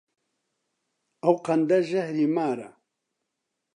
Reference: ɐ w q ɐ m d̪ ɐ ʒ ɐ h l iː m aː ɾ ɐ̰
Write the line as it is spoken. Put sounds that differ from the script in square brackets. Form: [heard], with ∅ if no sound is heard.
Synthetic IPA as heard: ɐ w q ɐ [n] d̪ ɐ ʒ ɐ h [ɾ] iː m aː ɾ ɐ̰